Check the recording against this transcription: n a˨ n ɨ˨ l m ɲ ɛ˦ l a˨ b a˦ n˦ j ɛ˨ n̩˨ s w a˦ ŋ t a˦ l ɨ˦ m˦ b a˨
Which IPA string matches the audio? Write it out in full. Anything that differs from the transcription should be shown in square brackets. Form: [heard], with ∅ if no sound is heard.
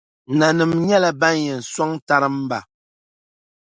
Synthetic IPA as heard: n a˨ n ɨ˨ [∅] m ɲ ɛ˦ l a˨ b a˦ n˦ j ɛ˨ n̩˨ s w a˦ ŋ t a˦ [ɾ] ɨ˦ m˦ b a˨